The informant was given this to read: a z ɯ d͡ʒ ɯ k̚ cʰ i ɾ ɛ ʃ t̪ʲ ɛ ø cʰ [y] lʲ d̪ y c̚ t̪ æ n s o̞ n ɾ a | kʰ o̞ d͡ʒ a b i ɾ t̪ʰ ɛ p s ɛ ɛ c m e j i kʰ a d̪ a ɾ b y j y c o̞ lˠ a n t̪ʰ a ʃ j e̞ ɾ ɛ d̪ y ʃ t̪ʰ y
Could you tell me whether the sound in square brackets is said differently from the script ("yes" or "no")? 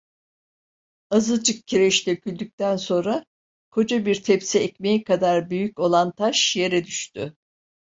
no